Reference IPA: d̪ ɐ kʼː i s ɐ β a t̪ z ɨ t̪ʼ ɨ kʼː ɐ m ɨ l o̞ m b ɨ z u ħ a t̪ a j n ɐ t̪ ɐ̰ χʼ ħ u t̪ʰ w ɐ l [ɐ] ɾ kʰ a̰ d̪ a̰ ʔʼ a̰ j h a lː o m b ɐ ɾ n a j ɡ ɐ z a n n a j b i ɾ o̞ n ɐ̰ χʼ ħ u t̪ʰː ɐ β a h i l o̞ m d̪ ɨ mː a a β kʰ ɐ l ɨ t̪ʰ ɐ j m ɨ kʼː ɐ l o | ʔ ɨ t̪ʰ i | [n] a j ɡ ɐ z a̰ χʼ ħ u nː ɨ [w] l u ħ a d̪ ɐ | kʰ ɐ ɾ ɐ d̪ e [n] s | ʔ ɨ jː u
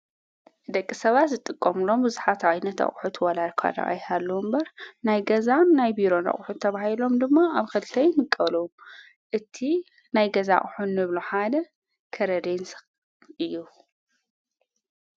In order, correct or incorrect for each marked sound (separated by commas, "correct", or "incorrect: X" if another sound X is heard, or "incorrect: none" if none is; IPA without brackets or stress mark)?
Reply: incorrect: a, correct, incorrect: β, correct